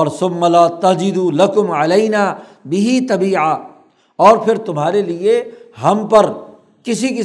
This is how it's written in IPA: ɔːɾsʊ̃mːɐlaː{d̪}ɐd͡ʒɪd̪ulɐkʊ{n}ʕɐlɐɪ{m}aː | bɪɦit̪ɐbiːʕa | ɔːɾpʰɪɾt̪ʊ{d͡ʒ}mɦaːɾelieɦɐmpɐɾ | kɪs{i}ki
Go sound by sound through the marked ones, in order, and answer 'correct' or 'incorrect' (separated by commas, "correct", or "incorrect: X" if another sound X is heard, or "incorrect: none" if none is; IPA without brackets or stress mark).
incorrect: t̪, incorrect: m, incorrect: n, incorrect: none, correct